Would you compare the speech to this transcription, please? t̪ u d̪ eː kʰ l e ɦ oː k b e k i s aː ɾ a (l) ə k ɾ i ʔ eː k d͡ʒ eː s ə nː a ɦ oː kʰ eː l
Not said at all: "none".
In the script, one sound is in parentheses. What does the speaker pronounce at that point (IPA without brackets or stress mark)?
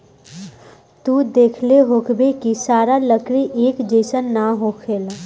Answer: l